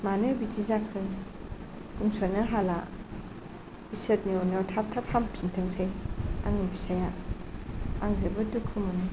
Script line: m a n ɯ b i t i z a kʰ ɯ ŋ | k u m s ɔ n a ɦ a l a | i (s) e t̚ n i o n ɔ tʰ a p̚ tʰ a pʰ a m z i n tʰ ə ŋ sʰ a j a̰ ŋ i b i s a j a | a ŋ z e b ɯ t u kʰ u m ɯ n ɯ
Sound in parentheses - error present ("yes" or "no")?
no